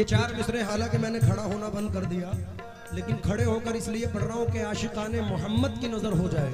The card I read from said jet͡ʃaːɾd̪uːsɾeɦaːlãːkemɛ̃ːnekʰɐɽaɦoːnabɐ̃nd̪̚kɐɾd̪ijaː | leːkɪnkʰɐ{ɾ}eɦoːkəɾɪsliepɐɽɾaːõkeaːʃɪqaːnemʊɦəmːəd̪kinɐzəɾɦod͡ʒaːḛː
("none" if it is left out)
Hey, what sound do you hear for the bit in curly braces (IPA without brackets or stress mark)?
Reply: ɽ